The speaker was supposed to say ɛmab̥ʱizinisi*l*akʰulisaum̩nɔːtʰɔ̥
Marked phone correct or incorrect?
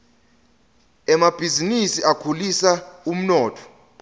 incorrect